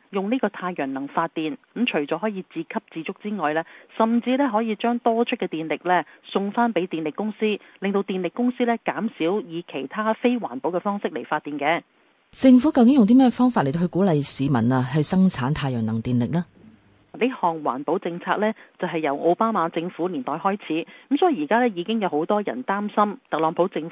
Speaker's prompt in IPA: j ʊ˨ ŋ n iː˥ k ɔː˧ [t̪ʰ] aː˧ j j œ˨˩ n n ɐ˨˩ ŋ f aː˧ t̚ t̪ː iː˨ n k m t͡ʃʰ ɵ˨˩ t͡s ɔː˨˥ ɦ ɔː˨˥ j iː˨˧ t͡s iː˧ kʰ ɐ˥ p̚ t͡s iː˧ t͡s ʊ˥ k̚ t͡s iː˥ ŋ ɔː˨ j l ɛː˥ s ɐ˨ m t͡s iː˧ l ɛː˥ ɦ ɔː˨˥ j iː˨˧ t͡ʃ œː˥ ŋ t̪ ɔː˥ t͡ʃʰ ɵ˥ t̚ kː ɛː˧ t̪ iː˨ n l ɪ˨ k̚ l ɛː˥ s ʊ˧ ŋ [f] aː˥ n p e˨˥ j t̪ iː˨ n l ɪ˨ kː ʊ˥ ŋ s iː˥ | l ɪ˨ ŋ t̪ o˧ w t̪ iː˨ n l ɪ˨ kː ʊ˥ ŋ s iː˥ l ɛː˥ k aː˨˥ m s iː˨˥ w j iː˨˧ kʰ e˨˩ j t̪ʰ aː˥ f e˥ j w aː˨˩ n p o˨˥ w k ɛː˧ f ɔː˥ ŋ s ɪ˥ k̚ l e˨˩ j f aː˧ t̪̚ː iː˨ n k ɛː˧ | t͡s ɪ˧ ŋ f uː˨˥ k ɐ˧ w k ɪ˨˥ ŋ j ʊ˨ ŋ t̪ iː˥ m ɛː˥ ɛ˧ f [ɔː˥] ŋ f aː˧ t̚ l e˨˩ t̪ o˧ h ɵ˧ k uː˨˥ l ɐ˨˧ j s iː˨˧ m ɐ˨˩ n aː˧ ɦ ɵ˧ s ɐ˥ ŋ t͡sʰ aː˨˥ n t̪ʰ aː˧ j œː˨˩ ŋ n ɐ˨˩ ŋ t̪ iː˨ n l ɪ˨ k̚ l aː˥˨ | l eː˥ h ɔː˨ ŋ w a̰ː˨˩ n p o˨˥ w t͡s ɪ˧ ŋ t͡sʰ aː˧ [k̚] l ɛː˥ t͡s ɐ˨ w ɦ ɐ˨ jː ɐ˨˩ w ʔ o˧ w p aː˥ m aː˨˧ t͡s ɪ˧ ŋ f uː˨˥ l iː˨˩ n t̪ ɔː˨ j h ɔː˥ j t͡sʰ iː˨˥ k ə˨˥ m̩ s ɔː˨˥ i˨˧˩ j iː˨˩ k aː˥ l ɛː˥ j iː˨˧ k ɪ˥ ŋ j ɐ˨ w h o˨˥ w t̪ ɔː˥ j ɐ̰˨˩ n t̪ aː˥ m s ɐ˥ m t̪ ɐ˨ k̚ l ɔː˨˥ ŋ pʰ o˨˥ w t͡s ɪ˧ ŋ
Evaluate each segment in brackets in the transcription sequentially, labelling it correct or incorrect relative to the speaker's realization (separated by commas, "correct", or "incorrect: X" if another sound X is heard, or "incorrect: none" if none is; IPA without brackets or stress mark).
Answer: correct, correct, correct, correct